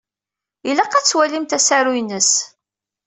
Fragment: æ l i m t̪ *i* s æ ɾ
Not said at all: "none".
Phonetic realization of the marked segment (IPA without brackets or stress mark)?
æ